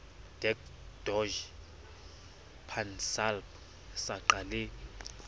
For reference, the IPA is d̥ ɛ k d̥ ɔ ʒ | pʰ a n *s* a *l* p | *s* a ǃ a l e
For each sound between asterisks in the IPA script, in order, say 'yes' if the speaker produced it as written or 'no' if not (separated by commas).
yes, yes, yes